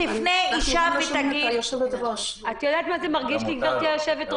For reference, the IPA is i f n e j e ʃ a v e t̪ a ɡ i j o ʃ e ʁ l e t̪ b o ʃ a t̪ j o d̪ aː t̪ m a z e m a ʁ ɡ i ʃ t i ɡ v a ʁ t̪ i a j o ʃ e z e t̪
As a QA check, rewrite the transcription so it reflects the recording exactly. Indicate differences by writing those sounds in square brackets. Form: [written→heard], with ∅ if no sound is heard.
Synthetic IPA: i f n e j [e→i] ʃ a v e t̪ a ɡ i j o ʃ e [ʁ→v] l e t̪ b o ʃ a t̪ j o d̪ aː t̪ m a z e m a ʁ ɡ i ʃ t i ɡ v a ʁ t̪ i a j o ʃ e [z→v] e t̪